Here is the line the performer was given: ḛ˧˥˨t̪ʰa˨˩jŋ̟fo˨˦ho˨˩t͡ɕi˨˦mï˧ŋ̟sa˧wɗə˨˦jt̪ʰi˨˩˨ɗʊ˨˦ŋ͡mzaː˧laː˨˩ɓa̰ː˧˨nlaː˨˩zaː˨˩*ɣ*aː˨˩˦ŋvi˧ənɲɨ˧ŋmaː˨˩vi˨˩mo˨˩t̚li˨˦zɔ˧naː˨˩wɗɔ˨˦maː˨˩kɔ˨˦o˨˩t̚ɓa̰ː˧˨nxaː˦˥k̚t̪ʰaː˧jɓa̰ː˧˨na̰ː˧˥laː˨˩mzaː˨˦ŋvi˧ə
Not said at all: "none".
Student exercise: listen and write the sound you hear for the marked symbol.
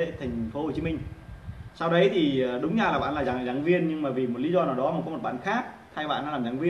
z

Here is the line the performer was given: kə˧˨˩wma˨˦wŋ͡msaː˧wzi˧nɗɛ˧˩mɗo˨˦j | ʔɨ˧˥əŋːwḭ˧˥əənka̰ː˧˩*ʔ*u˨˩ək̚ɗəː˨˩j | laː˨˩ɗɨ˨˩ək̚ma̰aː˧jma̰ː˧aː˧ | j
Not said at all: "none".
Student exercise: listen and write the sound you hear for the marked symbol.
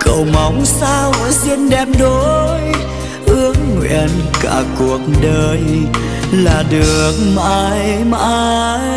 k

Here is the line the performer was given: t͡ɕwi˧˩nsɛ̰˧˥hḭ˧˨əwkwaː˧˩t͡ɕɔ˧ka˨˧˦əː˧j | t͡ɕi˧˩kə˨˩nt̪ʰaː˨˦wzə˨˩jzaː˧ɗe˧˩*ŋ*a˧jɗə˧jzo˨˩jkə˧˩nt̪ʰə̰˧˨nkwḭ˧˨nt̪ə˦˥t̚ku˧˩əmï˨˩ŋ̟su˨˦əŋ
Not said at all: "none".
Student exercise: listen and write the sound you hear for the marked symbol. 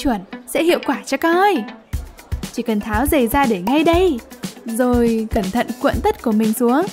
ŋ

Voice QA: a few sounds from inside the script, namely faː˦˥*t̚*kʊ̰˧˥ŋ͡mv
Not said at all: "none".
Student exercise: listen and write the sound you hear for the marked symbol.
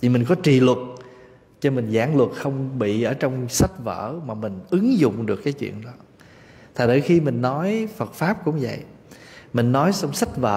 p̚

